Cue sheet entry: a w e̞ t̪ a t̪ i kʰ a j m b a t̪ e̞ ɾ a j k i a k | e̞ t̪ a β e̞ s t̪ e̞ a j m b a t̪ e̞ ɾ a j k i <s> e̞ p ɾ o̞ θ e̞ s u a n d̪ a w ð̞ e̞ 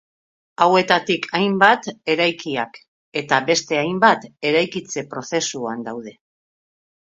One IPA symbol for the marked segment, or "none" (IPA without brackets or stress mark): t͡s